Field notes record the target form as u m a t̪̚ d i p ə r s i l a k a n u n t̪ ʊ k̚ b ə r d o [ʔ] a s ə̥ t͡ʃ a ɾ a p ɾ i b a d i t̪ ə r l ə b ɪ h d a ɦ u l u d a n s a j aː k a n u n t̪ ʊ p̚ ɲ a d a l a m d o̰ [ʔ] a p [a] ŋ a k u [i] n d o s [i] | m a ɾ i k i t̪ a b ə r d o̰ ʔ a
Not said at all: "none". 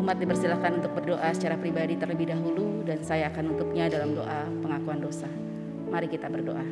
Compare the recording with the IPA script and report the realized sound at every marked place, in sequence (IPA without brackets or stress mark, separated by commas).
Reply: ʔ, ʔ, ə, a, a